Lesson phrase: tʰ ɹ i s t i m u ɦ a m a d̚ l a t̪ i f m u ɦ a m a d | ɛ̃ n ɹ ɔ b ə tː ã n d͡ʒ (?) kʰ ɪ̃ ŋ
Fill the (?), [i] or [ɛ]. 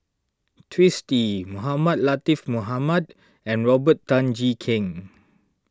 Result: i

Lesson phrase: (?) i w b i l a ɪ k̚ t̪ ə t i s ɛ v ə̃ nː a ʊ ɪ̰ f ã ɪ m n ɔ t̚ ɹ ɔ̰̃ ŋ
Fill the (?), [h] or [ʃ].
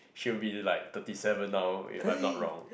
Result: ʃ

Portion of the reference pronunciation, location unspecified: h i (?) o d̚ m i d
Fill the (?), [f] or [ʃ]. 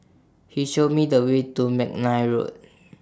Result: ʃ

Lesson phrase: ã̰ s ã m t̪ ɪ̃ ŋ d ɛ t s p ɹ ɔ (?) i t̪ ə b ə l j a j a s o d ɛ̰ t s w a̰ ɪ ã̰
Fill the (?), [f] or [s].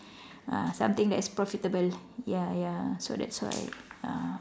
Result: f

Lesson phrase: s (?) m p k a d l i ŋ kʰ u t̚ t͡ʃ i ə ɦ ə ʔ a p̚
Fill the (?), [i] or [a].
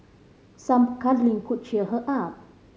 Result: a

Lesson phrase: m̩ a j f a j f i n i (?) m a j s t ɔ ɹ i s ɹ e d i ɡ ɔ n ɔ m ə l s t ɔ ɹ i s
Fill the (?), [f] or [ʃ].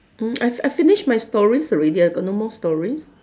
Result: ʃ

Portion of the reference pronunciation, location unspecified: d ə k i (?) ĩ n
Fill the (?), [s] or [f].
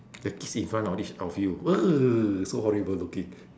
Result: s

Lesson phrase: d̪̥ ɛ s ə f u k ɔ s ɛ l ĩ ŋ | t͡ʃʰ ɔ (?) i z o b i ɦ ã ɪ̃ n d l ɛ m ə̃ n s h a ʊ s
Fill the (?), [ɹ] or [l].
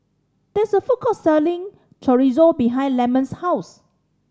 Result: ɹ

